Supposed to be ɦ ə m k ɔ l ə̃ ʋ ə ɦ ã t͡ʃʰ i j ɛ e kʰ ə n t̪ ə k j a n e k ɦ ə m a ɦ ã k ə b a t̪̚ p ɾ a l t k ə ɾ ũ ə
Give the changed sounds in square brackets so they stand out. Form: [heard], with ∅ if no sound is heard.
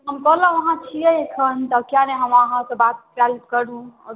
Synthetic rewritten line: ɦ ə m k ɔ l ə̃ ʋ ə ɦ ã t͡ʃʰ i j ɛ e kʰ ə n t̪ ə k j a n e [∅] ɦ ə m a ɦ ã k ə b a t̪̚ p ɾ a l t k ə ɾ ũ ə